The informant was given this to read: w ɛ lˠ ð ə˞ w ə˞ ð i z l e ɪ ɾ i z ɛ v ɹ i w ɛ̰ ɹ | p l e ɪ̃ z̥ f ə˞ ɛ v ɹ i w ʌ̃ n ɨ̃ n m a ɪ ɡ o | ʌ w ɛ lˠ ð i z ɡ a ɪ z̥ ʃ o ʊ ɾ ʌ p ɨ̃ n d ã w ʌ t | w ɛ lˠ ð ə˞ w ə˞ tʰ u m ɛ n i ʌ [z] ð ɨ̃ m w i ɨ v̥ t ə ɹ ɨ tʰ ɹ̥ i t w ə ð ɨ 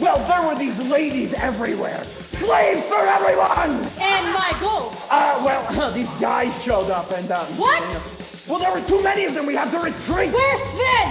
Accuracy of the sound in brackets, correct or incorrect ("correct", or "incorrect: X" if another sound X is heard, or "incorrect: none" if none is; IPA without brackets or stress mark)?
incorrect: v